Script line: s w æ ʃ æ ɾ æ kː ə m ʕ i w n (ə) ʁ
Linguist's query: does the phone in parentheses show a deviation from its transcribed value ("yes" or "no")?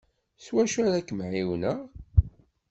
no